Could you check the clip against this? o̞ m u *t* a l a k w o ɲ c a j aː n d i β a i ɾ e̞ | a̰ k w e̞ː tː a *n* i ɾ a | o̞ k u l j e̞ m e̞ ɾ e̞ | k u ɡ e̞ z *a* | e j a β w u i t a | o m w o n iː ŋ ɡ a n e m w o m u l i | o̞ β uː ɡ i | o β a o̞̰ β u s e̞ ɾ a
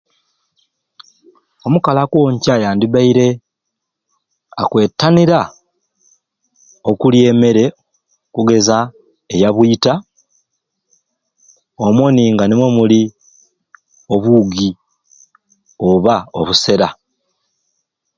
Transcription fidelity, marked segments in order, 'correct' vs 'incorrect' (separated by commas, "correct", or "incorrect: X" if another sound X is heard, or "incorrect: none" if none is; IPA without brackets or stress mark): incorrect: k, correct, correct